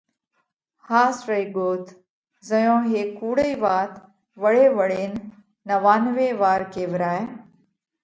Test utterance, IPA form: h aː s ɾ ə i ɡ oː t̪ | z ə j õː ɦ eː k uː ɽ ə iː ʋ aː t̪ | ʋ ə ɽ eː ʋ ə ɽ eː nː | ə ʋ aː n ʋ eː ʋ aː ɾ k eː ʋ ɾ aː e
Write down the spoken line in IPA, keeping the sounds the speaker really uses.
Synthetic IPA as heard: h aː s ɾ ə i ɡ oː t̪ | z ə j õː ɦ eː k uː ɽ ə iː ʋ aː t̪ | ʋ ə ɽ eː ʋ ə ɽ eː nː | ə ʋ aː n ʋ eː ʋ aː ɾ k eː ʋ ɾ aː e